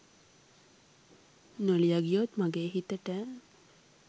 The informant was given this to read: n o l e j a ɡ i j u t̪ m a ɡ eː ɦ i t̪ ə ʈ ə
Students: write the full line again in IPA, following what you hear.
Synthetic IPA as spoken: n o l i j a ɡ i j o t̪ m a ɡ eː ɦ i t̪ ə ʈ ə